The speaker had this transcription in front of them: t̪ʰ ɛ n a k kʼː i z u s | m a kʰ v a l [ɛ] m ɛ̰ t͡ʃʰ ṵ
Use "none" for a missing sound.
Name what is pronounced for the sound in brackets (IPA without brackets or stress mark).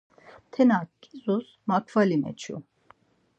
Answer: i